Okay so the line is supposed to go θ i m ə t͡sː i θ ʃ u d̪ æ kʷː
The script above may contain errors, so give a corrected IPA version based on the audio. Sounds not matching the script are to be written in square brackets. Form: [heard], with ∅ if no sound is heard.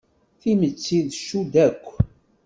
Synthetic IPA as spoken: θ i m ə t͡sː i [ð] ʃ u d̪ æ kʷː